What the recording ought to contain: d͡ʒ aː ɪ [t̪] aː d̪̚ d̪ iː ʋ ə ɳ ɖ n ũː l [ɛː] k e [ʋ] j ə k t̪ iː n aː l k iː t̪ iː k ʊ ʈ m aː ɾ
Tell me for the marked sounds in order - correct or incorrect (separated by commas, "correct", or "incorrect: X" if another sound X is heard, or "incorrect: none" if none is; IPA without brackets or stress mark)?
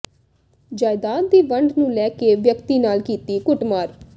incorrect: d̪, correct, correct